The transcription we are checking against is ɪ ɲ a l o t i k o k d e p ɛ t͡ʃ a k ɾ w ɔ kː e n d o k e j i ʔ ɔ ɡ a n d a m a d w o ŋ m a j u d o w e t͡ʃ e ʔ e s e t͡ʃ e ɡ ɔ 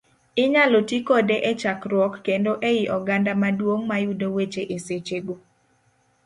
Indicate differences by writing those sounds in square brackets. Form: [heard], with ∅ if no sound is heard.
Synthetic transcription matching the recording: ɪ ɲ a l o t i k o [∅] d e [ʔ] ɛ t͡ʃ a k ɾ w ɔ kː e n d o [ʔ] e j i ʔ ɔ ɡ a n d a m a d w o ŋ m a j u d o w e t͡ʃ e ʔ e s e t͡ʃ e ɡ [o]